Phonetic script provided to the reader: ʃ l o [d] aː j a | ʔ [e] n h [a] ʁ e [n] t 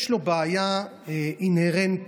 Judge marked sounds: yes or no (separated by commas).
no, no, no, yes